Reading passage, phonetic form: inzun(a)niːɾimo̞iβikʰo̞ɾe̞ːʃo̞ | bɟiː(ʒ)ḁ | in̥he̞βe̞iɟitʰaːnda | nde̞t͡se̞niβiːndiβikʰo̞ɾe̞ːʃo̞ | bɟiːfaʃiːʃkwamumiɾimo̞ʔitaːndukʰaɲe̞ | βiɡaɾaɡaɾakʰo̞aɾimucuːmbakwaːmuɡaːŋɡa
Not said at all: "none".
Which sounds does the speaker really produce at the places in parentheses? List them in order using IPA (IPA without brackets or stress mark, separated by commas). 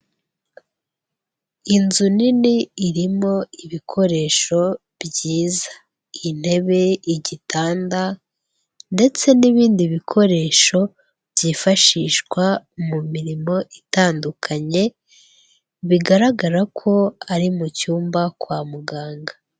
i, z